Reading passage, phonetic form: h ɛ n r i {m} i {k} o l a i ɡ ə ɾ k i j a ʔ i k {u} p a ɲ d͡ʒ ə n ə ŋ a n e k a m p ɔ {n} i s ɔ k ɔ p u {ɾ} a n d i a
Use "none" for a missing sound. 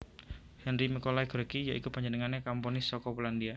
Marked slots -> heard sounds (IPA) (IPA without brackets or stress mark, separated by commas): m, k, u, n, l